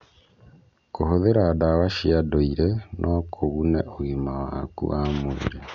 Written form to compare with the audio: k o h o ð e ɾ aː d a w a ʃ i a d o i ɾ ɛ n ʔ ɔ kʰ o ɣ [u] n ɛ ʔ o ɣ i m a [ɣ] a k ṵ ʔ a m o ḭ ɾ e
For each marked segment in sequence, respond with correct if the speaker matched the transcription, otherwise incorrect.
correct, incorrect

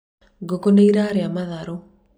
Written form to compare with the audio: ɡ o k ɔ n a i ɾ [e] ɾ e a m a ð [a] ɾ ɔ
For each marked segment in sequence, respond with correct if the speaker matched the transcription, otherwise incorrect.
incorrect, correct

